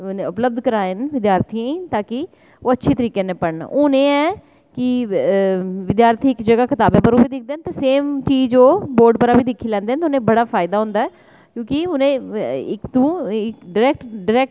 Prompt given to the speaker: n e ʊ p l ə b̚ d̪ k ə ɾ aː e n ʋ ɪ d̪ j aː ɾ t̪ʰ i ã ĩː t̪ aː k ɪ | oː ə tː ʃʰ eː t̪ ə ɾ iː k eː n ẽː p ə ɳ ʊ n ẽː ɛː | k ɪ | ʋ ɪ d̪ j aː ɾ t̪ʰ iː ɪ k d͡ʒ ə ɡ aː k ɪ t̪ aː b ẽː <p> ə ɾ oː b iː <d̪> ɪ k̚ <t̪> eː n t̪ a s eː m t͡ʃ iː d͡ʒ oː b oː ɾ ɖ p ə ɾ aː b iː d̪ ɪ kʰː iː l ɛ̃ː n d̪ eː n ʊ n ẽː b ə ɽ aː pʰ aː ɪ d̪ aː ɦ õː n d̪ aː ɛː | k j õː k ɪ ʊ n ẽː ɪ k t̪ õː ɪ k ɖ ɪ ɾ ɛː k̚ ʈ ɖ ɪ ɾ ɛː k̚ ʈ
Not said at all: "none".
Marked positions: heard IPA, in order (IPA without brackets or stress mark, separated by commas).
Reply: p, d̪, d̪